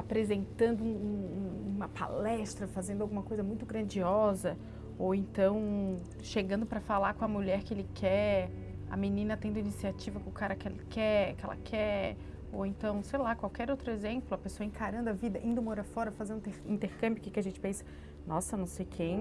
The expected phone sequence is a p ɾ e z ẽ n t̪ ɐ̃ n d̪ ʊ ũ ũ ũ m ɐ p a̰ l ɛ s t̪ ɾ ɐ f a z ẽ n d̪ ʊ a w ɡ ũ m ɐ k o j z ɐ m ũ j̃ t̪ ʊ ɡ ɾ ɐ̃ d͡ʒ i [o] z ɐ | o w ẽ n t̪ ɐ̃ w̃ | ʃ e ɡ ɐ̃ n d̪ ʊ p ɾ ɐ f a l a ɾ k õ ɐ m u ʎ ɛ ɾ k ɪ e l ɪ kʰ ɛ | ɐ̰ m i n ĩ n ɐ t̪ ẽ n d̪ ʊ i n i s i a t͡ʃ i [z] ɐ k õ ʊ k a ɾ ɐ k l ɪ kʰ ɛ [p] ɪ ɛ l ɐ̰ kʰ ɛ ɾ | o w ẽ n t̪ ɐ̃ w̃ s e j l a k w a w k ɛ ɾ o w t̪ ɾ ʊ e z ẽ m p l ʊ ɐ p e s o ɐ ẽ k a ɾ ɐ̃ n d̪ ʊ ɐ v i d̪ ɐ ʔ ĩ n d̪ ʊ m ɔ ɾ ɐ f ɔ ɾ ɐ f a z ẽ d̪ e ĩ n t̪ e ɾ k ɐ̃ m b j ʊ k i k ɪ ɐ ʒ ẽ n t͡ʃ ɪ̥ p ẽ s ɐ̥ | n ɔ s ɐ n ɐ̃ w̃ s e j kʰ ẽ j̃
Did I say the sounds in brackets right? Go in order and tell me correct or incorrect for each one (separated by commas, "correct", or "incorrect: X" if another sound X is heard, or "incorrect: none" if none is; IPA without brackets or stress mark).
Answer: incorrect: ɔ, incorrect: v, incorrect: k